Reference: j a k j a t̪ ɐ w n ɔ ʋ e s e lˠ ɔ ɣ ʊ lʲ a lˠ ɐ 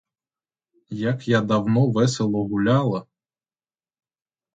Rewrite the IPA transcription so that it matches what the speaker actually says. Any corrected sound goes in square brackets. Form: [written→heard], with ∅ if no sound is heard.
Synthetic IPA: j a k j a [t̪→d̪] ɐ w n ɔ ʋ [e→ɛ] s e lˠ ɔ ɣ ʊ lʲ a lˠ ɐ